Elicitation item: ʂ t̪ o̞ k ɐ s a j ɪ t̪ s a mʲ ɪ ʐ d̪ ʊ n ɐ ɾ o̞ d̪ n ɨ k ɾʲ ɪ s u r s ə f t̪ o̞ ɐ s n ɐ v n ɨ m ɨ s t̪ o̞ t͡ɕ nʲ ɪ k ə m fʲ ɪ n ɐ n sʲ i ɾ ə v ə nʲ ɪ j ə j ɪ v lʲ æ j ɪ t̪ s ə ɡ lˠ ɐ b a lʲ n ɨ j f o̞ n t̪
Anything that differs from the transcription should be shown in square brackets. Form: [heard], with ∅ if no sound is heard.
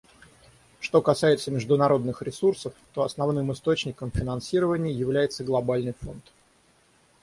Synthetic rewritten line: ʂ t̪ o̞ k ɐ s a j ɪ t̪ s [ə] mʲ ɪ ʐ d̪ ʊ n ɐ ɾ o̞ d̪ n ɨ [x] ɾʲ ɪ s u r s ə f t̪ o̞ ɐ s n ɐ v n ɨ m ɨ s t̪ o̞ t͡ɕ nʲ ɪ k ə m fʲ ɪ n ɐ n sʲ i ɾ ə v ə nʲ ɪ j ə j ɪ v lʲ æ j ɪ t̪ s ə ɡ lˠ ɐ b a lʲ n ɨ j f o̞ n t̪